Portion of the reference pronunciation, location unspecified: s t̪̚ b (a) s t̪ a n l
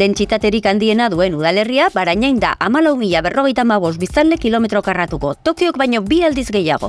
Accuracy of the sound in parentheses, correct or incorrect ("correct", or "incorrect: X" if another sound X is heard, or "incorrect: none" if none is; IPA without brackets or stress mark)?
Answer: incorrect: i